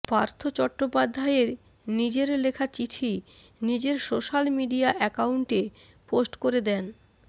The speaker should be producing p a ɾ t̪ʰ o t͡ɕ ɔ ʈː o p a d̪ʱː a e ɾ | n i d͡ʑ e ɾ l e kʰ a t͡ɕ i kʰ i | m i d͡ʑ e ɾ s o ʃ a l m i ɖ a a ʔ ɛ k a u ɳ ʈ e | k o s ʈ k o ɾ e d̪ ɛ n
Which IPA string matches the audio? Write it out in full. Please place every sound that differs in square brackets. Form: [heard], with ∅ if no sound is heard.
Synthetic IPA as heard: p a ɾ t̪ʰ o t͡ɕ ɔ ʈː o p a d̪ʱː a e ɾ | n i d͡ʑ e ɾ l e kʰ a t͡ɕ i [ʈʰ] i | [n] i d͡ʑ e ɾ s o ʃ a l m i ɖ [i] a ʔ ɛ k a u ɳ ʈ e | [p] o s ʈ k o ɾ e d̪ ɛ n